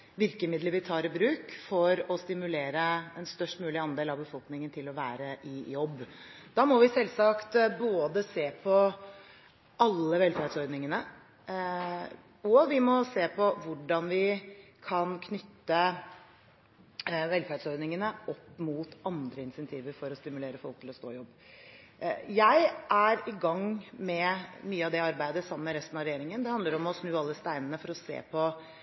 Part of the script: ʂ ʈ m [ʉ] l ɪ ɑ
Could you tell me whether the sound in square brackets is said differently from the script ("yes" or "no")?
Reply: yes